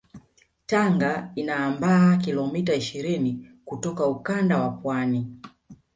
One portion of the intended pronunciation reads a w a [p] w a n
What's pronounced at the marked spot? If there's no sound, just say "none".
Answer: p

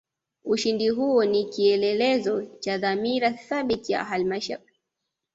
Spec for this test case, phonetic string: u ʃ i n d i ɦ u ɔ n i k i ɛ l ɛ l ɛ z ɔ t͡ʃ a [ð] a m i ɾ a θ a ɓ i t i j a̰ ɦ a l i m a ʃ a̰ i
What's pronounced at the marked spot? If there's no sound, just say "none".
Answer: ð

